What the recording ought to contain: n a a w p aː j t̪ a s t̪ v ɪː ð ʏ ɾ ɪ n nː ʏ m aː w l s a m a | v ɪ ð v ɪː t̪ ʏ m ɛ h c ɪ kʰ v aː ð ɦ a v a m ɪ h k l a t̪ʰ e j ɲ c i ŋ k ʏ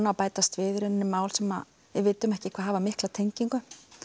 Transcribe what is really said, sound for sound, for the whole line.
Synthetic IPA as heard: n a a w p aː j t̪ a s t̪ v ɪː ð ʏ ɾ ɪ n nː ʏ m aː w l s ɛ m a | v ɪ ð v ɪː t̪ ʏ m ɛ h c ɪ kʰ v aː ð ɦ a v a m ɪ h k l a t̪ʰ e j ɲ c i ŋ k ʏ